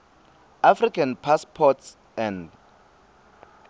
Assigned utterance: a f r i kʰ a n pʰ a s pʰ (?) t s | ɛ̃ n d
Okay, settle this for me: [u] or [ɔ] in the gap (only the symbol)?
ɔ